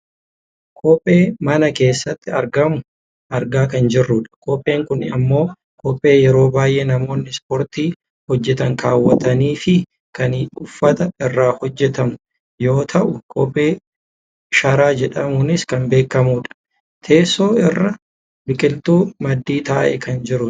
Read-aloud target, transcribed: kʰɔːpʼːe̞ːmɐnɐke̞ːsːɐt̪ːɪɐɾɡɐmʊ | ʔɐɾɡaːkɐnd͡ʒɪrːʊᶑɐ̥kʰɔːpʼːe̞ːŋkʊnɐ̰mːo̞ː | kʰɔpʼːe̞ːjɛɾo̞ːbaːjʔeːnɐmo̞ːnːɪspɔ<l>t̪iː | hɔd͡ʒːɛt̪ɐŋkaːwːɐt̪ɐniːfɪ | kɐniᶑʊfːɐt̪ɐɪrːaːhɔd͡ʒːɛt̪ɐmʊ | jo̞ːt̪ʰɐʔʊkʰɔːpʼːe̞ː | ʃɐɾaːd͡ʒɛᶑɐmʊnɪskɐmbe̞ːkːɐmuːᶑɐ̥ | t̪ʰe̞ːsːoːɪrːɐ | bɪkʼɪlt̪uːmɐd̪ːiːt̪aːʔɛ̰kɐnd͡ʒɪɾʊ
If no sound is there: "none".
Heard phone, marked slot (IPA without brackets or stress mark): ɾ